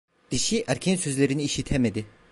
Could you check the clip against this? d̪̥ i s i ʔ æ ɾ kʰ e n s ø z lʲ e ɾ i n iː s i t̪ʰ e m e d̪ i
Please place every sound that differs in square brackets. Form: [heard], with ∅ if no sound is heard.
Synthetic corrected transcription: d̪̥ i [ʃ] i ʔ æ ɾ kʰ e n s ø z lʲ e ɾ i n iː [ʃ] i t̪ʰ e m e d̪ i

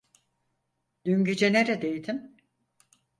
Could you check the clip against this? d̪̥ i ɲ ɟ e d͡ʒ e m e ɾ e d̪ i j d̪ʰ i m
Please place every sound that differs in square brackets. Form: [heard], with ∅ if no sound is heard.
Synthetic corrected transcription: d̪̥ [y] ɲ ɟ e d͡ʒ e [n] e ɾ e d̪ [e] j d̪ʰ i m

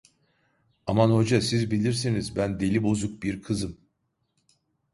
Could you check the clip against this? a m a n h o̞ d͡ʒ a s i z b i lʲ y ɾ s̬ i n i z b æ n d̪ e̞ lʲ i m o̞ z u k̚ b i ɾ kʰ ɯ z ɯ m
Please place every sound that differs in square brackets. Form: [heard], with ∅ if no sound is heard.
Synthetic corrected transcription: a m a n h o̞ d͡ʒ a s i z b i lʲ [i] ɾ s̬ i n i z b æ n d̪ e̞ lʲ i [b] o̞ z u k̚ b i ɾ kʰ ɯ z ɯ m

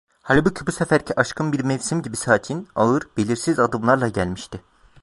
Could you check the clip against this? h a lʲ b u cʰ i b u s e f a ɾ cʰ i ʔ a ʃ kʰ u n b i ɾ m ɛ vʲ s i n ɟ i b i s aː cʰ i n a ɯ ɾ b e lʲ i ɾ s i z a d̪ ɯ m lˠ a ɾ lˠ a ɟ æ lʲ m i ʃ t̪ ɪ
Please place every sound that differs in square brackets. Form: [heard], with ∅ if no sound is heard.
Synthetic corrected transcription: h a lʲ b u cʰ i b u s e f [æ] ɾ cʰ i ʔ a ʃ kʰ [ɯ] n b i ɾ m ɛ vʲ s i [m] ɟ i b i s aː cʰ i n a ɯ ɾ b e lʲ i ɾ s i z a d̪ ɯ m lˠ a ɾ lˠ a ɟ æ lʲ m i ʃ t̪ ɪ

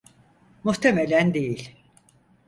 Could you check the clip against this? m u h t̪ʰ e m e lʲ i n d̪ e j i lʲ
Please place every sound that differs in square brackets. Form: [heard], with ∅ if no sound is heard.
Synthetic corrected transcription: m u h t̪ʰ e m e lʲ [æ] n d̪ e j i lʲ

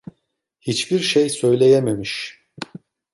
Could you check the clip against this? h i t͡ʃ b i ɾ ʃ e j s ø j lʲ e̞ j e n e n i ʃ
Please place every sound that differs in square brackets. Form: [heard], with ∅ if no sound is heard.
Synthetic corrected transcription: h i t͡ʃ b i ɾ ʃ e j s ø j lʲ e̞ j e [m] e [m] i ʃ

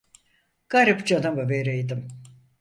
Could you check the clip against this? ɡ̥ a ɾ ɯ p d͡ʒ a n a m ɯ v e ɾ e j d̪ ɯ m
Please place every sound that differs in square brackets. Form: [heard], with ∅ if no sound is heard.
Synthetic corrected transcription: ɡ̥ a ɾ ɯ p d͡ʒ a n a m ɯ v e ɾ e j d̪ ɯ m

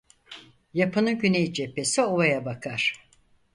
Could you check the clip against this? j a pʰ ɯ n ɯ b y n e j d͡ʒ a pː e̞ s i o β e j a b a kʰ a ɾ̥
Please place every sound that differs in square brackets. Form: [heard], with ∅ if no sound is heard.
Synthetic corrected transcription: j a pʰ ɯ n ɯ [ɟ] y n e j d͡ʒ [e] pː e̞ s i o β [a] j a b a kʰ a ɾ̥

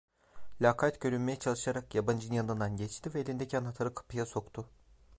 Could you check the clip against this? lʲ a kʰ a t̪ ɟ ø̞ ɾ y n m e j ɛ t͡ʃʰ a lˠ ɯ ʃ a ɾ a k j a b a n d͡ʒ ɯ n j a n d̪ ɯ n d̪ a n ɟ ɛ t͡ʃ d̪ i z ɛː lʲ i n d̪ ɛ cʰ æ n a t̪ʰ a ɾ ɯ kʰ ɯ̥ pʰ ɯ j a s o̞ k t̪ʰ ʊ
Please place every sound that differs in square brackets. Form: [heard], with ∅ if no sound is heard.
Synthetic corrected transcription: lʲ a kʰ a t̪ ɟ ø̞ ɾ y n m e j ɛ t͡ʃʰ a lˠ ɯ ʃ a ɾ a k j a b a n d͡ʒ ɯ n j a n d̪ ɯ n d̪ a n ɟ ɛ t͡ʃ [t̪] i [v] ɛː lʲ i n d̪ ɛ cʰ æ n a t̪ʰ a ɾ ɯ kʰ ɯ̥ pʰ ɯ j a s o̞ k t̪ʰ ʊ

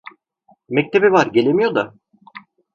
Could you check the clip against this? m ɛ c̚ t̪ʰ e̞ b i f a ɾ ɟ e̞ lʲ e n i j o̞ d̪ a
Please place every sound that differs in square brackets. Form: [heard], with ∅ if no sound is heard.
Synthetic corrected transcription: m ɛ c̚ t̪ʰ e̞ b i [v] a ɾ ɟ e̞ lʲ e [m] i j o̞ d̪ a

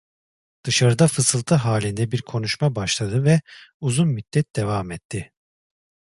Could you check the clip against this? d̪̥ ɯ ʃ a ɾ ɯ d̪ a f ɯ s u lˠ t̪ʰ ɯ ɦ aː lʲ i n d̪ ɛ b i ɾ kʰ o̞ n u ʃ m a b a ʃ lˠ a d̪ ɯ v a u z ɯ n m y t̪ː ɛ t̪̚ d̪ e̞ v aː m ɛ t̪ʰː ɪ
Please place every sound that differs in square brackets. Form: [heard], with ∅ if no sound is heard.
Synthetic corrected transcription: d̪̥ ɯ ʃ a ɾ ɯ d̪ a f ɯ s [ɯ] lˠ t̪ʰ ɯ ɦ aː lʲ i n d̪ ɛ b i ɾ kʰ o̞ n u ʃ m a b a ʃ lˠ a d̪ ɯ v [ɛ] u z [u] n m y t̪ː ɛ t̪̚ d̪ e̞ v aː m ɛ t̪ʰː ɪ

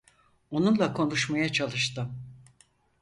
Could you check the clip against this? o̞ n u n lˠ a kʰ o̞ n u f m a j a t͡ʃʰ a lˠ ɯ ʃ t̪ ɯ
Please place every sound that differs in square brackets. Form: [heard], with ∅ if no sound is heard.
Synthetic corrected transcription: o̞ n u n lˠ a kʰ o̞ n u [ʃ] m a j a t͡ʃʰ a lˠ ɯ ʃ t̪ ɯ

